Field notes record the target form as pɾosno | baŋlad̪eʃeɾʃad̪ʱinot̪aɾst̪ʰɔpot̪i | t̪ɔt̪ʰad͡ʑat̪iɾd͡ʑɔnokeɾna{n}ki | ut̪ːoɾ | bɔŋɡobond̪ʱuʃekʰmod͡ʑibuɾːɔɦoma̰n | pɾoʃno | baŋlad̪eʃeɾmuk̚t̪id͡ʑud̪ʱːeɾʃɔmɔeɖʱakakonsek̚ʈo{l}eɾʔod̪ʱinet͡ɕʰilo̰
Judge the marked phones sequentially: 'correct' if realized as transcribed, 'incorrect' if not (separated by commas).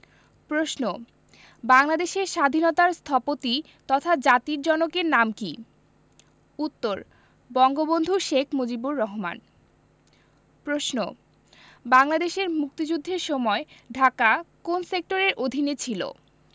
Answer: incorrect, incorrect